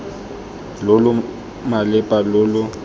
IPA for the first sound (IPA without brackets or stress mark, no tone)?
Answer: l